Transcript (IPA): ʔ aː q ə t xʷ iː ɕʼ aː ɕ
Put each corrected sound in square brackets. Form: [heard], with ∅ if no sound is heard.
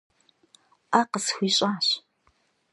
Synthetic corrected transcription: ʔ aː q ə [s] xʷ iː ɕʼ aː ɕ